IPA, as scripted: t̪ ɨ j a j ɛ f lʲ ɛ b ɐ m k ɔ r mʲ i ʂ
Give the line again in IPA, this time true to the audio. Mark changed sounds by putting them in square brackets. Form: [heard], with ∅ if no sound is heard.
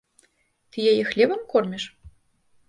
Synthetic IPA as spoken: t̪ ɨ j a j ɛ [x] lʲ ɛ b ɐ m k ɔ r mʲ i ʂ